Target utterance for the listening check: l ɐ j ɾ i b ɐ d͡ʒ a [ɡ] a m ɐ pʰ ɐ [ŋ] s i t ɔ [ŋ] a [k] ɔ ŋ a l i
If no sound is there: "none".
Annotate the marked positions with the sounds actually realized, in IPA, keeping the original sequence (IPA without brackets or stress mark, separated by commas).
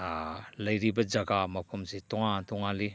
ɡ, m, ŋ, t